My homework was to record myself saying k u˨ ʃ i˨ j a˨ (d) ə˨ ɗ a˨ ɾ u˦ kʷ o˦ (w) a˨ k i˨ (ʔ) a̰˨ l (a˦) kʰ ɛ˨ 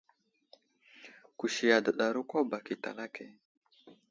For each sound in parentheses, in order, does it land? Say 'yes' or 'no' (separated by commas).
yes, no, no, yes